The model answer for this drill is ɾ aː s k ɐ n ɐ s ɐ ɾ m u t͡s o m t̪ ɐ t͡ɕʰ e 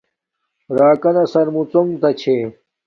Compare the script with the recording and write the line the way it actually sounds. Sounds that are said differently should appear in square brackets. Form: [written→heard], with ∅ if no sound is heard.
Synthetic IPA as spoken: ɾ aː [s→∅] k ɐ n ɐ s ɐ ɾ m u t͡s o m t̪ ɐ t͡ɕʰ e